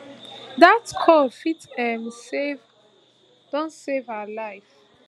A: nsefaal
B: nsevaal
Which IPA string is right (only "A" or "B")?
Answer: B